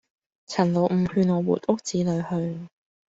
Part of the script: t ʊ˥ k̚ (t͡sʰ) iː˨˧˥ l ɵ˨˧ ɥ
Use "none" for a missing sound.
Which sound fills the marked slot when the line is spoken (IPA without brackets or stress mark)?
t͡s